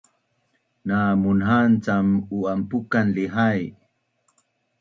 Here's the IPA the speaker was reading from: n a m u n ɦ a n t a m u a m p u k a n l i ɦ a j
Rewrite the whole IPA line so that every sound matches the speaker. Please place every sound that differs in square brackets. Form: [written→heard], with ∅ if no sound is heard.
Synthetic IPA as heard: n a m u n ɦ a n [t→t͡s] a m u a m p u k a n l i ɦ a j

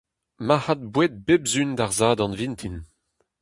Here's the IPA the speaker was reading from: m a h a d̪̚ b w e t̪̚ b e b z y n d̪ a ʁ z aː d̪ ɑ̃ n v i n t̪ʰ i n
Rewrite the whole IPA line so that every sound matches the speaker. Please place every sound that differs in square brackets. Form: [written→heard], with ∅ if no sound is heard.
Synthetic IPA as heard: m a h a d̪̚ b w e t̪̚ b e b z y n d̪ a ʁ z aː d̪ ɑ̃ n v i n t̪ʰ i n

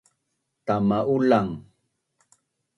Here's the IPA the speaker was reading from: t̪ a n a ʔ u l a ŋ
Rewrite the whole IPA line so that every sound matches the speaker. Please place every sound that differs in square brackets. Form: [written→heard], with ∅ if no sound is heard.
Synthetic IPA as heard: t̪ a [n→m] a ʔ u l a ŋ

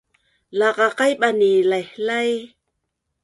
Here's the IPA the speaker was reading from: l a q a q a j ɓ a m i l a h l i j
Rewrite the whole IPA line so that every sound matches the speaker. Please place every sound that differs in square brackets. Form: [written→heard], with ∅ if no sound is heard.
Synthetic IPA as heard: l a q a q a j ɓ a [m→n] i l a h l [i→a] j

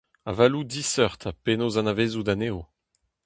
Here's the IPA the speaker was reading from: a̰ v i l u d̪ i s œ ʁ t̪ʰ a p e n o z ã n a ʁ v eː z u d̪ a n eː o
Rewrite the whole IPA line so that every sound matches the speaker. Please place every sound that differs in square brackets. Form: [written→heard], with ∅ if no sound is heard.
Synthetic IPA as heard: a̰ v [i→a] l u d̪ i s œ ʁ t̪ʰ a p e n o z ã n a [ʁ→∅] v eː z u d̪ a n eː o

